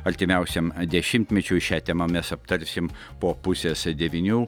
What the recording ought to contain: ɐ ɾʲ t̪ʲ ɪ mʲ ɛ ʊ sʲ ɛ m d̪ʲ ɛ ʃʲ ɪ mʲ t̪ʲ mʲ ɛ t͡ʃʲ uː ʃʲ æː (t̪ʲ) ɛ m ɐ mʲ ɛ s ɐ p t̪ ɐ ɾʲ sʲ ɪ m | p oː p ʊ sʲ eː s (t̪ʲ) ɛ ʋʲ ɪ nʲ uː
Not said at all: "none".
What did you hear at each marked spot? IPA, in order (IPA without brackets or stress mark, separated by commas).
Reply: t̪ʲ, d̪ʲ